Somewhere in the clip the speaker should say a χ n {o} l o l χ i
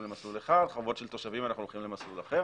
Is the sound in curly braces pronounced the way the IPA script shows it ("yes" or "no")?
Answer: no